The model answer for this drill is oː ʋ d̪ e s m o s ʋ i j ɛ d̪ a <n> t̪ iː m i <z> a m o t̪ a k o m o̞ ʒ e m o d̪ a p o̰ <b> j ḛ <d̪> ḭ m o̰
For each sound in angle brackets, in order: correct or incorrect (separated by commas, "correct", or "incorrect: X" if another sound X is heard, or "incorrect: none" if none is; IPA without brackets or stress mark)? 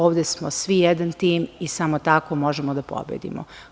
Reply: correct, incorrect: s, correct, correct